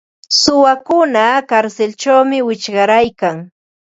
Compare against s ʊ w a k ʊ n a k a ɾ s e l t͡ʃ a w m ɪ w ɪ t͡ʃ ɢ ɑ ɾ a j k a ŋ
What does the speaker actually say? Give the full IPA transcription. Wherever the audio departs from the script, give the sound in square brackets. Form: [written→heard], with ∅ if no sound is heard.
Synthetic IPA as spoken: s ʊ w a k ʊ n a k a ɾ s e l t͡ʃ a w m ɪ w ɪ t͡ʃ ɢ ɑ ɾ a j k a ŋ